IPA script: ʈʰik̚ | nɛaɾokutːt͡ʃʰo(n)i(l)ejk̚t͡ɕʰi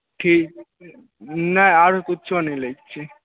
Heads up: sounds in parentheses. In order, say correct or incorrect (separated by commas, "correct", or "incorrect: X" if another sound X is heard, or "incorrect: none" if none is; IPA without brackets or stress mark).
correct, correct